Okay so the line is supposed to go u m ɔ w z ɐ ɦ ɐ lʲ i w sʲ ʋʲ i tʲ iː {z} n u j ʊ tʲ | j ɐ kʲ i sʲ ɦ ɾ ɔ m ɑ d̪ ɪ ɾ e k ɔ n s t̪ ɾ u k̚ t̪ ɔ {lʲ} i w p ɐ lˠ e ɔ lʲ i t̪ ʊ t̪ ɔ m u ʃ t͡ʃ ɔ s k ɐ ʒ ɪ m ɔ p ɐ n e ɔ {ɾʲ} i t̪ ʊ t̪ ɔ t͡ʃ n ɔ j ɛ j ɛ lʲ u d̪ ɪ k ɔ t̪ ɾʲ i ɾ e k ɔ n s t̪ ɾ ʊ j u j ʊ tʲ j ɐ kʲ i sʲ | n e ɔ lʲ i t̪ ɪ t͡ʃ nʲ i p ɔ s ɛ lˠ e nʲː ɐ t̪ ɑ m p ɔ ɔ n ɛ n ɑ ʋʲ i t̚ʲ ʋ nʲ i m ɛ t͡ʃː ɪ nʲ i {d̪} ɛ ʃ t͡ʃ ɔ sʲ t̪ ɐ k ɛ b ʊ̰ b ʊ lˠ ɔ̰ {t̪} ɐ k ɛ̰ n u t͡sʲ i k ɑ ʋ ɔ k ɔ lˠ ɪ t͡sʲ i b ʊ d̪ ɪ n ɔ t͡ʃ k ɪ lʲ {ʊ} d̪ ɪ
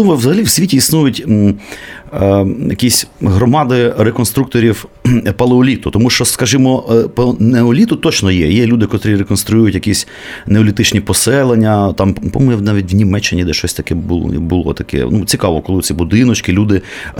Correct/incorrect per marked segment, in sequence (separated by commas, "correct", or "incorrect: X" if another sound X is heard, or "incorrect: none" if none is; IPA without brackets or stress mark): incorrect: s, incorrect: ɾʲ, incorrect: lʲ, correct, correct, incorrect: u